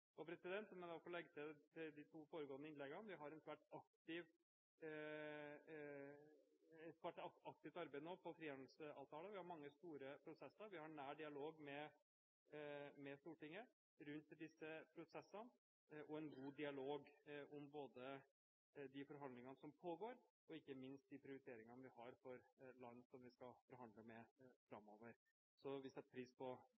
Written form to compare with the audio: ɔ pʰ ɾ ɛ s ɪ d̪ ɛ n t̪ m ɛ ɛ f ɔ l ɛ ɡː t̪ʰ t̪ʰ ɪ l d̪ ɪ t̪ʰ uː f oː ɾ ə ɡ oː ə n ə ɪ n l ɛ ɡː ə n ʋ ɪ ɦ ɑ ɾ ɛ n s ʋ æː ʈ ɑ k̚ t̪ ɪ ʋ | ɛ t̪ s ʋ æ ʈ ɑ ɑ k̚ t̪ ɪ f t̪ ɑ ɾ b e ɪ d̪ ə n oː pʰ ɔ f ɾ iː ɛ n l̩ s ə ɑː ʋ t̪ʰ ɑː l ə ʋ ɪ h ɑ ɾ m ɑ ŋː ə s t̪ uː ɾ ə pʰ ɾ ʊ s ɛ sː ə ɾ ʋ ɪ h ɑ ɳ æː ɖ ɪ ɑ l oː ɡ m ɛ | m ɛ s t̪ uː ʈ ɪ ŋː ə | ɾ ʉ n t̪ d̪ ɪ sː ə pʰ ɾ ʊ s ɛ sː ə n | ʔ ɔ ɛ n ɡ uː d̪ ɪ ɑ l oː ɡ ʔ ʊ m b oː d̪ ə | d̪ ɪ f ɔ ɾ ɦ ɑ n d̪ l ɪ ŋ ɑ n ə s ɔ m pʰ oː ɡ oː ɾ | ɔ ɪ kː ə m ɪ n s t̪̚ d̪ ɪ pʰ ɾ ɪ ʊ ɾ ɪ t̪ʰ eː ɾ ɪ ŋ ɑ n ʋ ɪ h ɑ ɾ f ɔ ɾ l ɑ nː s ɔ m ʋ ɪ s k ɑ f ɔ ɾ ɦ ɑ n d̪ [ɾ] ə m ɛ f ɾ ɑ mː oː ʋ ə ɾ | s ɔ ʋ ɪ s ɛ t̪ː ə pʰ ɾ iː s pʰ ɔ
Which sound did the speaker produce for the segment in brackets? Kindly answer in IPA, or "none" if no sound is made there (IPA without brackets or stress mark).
l